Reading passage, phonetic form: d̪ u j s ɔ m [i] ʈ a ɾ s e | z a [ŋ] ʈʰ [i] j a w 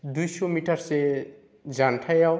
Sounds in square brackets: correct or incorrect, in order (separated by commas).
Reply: correct, incorrect, incorrect